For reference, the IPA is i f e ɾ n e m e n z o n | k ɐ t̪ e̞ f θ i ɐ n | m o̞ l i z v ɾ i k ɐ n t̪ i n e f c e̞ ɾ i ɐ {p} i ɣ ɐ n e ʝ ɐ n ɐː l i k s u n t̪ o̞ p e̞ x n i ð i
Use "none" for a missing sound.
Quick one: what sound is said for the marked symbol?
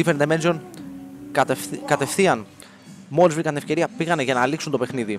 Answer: p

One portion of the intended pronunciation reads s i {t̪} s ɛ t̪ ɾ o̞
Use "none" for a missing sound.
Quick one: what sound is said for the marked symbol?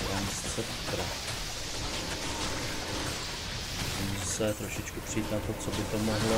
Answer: none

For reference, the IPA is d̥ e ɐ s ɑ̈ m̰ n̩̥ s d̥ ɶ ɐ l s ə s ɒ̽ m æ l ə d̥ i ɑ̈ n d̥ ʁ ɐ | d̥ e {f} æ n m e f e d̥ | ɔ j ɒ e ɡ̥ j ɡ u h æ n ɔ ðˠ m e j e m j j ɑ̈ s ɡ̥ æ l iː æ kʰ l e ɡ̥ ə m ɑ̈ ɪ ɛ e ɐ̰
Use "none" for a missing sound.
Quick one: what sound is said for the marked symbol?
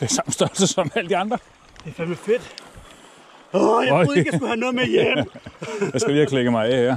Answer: f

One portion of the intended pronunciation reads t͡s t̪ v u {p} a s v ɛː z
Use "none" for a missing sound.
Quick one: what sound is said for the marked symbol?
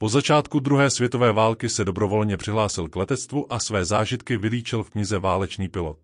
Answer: ʔ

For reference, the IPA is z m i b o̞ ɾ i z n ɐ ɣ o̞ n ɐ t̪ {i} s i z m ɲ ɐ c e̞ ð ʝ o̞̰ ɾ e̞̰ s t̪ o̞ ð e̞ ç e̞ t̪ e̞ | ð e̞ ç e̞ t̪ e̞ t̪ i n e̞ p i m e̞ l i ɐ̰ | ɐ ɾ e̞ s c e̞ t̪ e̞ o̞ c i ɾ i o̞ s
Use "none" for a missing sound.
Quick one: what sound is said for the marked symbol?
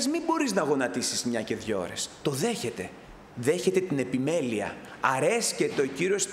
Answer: i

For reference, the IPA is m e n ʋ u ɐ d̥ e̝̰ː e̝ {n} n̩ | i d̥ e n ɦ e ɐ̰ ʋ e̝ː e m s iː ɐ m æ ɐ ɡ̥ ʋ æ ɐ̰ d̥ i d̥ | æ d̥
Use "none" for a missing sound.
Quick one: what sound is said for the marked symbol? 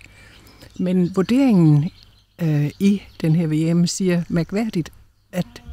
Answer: ŋ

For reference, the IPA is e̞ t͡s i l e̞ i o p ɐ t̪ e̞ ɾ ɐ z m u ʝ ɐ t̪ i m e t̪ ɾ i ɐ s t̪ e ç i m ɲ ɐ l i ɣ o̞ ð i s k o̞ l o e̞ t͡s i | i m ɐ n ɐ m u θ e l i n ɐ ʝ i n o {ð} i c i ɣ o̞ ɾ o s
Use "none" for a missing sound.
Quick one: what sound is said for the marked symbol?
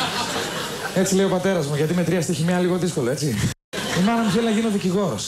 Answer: ð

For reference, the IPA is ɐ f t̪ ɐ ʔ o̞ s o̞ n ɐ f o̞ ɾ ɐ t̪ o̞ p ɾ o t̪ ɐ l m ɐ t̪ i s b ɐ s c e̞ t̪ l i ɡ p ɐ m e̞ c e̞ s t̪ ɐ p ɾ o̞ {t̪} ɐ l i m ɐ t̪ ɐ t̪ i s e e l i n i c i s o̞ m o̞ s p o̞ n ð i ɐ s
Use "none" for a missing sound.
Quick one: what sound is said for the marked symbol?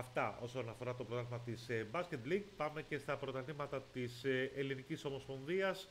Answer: t̪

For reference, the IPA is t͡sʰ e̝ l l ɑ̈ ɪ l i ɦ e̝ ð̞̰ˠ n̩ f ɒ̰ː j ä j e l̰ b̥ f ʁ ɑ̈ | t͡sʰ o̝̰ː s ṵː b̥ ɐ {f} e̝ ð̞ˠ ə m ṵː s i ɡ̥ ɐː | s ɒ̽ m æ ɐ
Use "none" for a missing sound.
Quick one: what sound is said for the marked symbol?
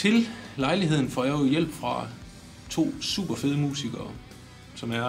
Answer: f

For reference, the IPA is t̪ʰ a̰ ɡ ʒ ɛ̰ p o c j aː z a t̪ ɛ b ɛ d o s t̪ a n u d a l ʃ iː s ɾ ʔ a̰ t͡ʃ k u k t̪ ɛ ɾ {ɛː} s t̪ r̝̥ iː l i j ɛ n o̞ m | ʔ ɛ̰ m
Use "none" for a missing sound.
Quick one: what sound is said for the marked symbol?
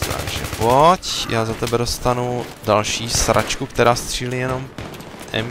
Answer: aː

